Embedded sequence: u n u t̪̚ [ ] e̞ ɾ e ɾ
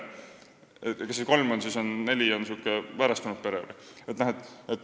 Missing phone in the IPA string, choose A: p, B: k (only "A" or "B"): A